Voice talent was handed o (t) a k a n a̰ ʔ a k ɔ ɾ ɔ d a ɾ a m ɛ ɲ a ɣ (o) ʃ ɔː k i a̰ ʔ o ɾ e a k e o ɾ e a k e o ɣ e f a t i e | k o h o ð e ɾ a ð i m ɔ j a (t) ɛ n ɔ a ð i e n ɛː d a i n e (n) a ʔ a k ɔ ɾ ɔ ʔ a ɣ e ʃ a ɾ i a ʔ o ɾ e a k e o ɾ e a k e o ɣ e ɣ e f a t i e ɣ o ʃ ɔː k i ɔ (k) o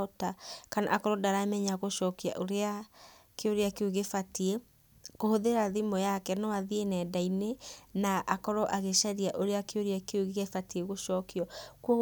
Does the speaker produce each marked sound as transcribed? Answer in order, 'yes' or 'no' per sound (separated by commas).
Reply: yes, yes, no, yes, yes